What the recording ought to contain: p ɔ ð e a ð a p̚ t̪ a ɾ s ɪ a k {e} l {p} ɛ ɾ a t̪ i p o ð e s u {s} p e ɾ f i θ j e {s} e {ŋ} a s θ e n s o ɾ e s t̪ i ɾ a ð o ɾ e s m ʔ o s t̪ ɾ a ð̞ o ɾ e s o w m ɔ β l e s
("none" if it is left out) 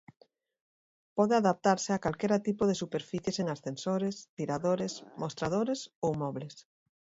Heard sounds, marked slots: a, k, none, s, ŋ

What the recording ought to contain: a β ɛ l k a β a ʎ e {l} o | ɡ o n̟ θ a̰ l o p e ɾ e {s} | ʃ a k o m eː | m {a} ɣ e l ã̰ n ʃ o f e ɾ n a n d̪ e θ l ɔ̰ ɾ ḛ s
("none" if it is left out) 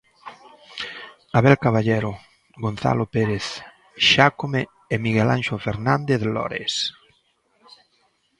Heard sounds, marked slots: ɾ, θ, i

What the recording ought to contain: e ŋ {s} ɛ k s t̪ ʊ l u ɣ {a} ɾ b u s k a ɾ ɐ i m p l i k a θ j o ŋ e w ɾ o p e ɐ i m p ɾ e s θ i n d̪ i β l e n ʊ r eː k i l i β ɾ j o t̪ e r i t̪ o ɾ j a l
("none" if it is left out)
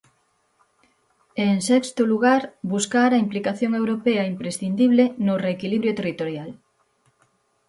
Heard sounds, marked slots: s, a

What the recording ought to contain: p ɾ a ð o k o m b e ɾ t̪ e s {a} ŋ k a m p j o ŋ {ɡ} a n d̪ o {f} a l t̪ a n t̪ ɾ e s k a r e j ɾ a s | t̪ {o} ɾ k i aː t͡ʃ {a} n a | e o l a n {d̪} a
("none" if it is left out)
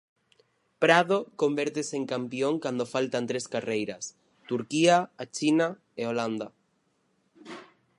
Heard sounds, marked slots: e, k, f, u, i, d̪

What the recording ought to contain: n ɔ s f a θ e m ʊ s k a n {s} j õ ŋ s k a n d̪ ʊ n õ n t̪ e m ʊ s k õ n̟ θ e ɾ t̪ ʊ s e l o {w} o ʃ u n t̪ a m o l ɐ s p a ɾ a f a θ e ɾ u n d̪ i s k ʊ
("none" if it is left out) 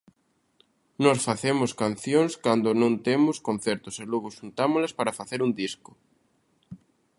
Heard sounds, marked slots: θ, ɣ

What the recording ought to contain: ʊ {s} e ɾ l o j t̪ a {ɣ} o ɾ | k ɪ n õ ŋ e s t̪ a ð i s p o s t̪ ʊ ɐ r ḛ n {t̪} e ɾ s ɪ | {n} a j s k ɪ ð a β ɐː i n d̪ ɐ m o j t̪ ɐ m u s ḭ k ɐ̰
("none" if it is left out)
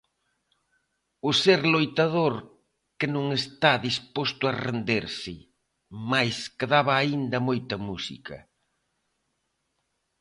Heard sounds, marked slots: s, ð, d̪, m

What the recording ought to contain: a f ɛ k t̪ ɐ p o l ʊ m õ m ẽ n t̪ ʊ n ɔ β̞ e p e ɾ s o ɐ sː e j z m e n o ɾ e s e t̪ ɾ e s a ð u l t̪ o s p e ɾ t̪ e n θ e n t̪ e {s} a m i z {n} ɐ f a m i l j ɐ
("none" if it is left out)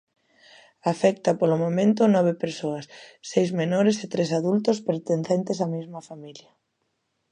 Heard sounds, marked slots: s, m

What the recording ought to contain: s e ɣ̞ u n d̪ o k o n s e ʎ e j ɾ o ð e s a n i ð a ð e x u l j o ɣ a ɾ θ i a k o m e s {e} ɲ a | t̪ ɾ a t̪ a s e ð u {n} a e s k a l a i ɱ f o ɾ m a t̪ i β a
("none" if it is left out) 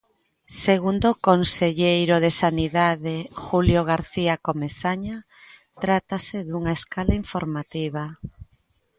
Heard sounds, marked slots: a, ŋ

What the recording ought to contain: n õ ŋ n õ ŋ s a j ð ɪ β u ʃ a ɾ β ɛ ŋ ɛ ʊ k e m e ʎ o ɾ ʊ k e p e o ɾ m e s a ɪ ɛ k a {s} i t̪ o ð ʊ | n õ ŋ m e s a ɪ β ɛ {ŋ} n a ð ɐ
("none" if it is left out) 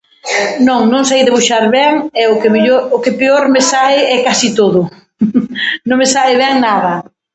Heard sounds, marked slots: s, ŋ

